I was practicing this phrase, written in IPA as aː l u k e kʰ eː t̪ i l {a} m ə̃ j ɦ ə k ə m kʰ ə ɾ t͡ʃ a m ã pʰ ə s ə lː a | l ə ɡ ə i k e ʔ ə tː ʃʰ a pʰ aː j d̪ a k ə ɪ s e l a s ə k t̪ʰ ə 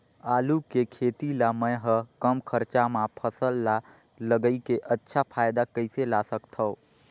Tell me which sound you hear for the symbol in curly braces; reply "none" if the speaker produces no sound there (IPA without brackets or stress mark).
a